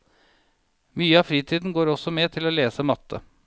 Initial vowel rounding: rounded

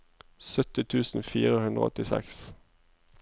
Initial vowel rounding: rounded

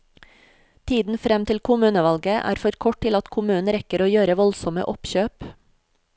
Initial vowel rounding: unrounded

